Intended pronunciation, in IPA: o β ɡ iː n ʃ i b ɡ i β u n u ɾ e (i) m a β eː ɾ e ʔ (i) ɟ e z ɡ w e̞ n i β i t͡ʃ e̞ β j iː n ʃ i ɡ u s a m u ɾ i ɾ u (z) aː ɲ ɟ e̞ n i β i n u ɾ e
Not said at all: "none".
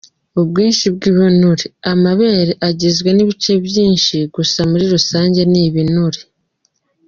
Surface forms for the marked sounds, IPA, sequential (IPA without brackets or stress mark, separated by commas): a, a, s